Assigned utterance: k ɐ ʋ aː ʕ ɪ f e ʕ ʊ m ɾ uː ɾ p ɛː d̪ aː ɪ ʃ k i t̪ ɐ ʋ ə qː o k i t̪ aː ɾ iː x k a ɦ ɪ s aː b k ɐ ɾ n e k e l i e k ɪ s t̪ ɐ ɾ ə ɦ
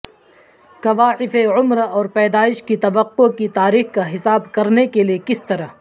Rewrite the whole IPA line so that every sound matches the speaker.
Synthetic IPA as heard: k ɐ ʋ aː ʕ ɪ f e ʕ ʊ m ɾ ɔː ɾ p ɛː d̪ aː ɪ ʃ k i t̪ ɐ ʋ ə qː o k i t̪ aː ɾ iː x k a ɦ ɪ s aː b k ɐ ɾ n e k e l i e k ɪ s t̪ ɐ ɾ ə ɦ